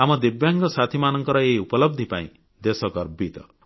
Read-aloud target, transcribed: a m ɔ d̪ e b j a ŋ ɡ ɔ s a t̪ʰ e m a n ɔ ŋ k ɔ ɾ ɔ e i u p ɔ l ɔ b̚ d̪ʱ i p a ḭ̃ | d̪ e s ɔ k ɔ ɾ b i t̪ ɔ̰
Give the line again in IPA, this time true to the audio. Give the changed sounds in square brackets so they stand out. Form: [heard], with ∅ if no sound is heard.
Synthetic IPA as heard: a m ɔ d̪ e b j a ŋ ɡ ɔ s a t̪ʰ [i] m a n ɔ ŋ k ɔ ɾ ɔ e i u p ɔ l ɔ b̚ d̪ʱ i p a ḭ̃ | d̪ e s ɔ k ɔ ɾ b i t̪ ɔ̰